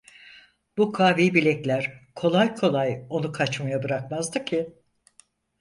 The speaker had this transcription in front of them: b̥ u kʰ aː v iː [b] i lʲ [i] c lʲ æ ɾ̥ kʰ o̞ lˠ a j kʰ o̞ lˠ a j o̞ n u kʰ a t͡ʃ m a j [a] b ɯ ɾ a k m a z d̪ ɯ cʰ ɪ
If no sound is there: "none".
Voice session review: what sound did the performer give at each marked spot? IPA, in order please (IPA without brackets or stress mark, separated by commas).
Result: b, ɛ, a